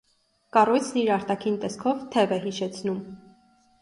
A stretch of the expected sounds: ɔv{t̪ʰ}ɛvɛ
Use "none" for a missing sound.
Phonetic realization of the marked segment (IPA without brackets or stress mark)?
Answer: t̪ʰ